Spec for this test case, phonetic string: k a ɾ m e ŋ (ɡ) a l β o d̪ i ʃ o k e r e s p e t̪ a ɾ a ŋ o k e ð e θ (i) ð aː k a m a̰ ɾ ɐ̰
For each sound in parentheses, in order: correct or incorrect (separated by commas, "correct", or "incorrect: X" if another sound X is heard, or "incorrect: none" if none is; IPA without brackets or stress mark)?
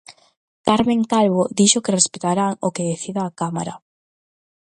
incorrect: k, correct